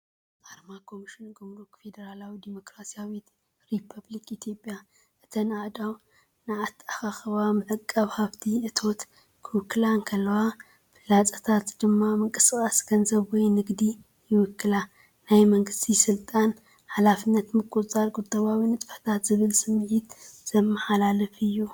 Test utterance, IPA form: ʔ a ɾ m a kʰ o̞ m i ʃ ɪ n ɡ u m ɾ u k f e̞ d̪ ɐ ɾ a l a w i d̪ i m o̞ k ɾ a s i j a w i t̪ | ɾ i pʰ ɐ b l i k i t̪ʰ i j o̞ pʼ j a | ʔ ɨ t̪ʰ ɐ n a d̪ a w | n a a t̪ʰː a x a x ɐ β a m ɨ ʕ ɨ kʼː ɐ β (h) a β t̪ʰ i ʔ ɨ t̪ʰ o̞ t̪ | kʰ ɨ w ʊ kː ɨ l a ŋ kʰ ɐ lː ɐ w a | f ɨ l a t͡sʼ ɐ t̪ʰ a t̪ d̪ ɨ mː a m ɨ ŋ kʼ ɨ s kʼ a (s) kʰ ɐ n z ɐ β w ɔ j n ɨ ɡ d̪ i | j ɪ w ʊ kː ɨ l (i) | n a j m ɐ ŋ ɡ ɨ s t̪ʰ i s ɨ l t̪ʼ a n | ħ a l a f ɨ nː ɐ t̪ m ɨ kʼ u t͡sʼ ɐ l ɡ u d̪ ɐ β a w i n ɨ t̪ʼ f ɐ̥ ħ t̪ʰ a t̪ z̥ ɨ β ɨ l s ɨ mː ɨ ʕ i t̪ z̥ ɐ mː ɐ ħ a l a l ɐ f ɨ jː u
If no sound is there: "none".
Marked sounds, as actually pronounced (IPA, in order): h, s, a

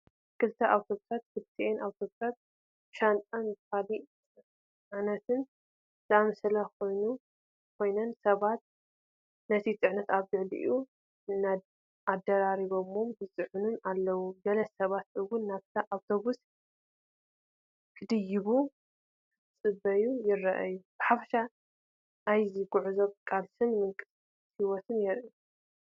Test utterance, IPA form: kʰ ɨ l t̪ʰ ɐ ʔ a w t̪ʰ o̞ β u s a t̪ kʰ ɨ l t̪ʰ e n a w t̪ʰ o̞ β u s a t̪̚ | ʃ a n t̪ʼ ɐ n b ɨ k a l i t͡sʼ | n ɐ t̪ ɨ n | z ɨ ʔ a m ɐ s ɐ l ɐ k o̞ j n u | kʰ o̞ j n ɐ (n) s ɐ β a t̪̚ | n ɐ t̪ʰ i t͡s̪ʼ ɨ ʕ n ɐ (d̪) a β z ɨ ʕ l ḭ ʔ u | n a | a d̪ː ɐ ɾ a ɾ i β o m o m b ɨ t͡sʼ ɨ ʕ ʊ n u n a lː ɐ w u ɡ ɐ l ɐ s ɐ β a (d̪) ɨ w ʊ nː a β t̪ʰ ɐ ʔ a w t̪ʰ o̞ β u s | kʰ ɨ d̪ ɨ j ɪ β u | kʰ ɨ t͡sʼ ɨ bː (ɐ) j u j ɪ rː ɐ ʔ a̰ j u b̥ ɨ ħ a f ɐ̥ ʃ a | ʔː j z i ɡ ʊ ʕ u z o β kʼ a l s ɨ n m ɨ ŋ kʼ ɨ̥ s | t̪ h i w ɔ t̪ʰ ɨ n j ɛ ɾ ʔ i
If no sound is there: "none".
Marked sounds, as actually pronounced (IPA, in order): n, t̪, t̪, ɐ

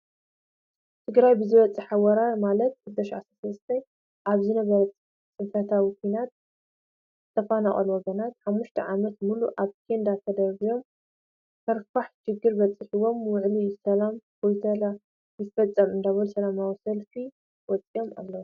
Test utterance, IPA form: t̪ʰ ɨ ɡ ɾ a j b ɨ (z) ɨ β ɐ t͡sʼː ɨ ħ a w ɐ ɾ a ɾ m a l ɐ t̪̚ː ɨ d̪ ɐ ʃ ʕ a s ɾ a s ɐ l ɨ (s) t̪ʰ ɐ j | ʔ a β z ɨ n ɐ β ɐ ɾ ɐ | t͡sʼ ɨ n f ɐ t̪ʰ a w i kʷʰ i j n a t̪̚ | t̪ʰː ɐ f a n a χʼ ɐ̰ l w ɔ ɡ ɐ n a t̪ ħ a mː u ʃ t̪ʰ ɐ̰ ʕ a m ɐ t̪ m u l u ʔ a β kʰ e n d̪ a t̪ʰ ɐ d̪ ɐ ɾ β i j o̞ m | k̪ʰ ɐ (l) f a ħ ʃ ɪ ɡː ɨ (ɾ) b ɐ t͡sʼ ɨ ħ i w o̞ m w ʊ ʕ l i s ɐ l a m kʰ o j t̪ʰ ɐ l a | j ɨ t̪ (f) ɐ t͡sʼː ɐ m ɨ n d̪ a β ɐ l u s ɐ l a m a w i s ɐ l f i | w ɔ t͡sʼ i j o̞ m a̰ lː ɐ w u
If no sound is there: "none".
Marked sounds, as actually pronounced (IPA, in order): z, s, ɾ, ɾ, f

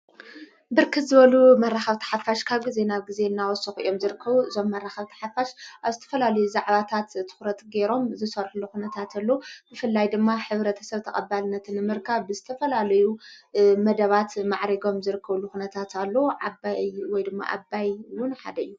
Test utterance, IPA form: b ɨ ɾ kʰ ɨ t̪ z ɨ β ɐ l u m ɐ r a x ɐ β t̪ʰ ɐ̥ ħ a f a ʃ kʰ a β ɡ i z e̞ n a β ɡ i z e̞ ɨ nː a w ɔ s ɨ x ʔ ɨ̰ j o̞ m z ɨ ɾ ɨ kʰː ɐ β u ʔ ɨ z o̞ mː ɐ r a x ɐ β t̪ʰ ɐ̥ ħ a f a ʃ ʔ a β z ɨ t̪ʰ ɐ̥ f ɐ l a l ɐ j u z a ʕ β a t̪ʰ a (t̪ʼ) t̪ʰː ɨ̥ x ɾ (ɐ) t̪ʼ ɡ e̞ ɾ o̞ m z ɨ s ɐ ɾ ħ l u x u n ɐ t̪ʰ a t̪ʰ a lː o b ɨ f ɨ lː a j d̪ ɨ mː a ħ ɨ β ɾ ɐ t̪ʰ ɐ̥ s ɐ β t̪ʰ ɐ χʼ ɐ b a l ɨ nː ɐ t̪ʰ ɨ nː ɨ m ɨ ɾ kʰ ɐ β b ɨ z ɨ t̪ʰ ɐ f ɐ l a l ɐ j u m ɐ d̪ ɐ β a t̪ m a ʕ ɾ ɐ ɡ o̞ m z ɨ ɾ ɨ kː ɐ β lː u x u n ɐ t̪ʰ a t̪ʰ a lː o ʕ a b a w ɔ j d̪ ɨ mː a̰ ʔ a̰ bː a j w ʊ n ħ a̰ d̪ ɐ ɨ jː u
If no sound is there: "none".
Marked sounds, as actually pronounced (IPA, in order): t̪, ɐ

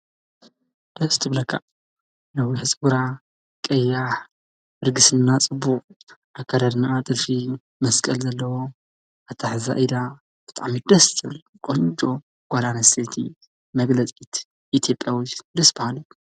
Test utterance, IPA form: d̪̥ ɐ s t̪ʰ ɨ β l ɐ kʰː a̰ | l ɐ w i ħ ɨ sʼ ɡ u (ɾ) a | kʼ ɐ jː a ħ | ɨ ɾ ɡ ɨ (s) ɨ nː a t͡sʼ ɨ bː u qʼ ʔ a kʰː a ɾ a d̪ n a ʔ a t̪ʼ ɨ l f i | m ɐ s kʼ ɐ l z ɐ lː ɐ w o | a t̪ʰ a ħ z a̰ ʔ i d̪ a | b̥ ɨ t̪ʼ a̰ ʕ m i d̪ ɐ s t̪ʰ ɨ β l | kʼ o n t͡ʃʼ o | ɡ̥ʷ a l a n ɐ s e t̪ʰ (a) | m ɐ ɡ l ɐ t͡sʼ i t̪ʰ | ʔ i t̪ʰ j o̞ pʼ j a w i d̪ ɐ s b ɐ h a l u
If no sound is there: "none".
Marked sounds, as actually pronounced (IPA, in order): ɾ, s, i

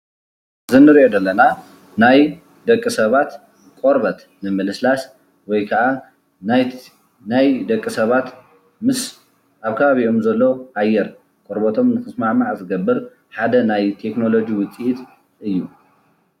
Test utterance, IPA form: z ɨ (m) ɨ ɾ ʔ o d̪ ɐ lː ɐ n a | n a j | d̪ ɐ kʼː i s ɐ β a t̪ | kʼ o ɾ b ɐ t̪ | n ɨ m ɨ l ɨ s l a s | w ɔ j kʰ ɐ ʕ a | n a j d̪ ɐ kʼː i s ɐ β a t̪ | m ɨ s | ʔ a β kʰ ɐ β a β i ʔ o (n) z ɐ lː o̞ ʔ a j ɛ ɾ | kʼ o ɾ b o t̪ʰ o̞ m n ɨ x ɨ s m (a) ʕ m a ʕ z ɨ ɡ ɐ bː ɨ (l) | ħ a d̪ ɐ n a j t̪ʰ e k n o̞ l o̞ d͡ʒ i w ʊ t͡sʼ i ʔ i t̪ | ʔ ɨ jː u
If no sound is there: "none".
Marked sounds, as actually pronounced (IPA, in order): n, m, a, ɾ

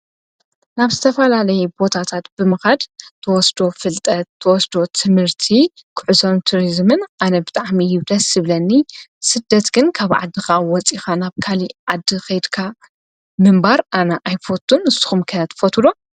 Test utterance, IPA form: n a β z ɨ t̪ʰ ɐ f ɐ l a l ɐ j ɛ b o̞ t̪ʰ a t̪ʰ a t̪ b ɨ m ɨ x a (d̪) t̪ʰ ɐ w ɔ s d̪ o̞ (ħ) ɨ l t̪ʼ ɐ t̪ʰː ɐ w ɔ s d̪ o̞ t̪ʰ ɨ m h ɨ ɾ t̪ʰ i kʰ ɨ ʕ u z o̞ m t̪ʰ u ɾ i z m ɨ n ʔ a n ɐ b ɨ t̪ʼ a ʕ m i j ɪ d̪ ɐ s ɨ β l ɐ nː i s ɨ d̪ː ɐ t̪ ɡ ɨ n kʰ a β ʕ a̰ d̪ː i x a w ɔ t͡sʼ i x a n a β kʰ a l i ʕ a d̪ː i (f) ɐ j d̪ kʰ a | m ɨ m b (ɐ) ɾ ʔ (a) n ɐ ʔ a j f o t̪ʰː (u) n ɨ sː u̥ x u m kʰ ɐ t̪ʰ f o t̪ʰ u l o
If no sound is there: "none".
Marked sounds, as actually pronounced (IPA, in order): d̪, f, x, a, a, u

